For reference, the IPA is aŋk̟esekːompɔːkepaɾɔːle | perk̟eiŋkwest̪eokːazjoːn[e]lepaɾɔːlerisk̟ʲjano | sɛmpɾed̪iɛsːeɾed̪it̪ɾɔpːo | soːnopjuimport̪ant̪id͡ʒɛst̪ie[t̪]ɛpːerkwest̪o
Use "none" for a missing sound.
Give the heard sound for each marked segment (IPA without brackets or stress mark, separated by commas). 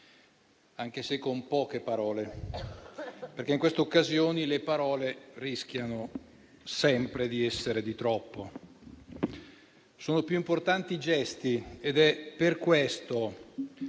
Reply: i, d̪